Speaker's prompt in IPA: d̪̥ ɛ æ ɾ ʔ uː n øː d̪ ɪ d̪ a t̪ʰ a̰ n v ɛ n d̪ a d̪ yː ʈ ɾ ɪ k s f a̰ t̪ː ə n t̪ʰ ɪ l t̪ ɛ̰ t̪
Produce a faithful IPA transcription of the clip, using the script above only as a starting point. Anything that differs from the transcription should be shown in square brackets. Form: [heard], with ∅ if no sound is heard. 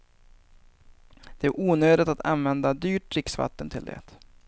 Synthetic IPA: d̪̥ ɛ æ ɾ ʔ uː n øː d̪ ɪ [t̪] a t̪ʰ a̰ n v ɛ n d̪ a d̪ yː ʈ ɾ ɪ k s [v] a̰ t̪ː ə n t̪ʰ ɪ l [d̪] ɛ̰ t̪